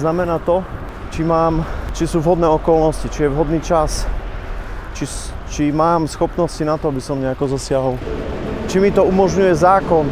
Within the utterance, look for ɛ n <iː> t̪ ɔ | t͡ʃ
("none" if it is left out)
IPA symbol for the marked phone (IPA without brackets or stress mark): aː